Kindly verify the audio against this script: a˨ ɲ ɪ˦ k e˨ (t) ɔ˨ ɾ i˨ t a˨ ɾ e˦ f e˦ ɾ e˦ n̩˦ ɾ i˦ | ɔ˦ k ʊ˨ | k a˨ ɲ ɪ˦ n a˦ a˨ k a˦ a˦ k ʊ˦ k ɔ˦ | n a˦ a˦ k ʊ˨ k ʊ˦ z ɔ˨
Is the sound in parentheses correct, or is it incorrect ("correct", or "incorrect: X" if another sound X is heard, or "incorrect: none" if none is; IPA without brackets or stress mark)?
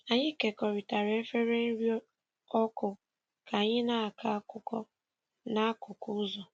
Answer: incorrect: k